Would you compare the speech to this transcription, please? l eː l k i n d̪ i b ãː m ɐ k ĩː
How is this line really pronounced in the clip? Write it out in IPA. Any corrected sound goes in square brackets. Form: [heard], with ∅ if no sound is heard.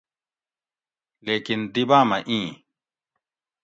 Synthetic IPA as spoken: l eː [∅] k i n d̪ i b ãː m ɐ [ʔ] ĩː